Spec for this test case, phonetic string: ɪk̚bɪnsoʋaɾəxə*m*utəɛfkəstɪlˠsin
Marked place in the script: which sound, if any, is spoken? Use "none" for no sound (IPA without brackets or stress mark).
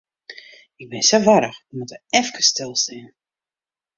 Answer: m